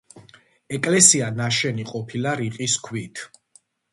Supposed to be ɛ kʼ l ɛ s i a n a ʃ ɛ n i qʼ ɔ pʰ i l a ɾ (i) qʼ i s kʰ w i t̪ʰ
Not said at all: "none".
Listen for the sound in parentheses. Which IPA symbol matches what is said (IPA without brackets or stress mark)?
i